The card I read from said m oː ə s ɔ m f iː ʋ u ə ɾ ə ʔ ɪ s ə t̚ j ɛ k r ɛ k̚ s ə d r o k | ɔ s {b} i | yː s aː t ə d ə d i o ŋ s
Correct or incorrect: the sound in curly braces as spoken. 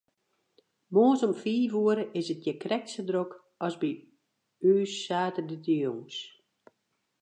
correct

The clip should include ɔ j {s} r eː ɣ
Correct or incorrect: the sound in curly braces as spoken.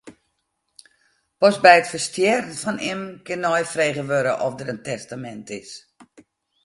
incorrect: f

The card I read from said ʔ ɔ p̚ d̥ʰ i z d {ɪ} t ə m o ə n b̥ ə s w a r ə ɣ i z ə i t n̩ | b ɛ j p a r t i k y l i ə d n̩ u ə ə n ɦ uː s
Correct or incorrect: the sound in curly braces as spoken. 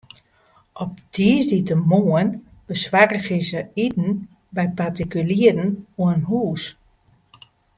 incorrect: i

